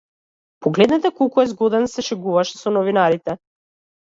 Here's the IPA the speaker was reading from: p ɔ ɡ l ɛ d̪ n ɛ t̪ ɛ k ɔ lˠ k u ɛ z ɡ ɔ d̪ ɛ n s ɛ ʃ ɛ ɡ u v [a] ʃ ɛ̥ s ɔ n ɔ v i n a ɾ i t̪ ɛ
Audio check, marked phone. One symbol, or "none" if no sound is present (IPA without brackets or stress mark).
a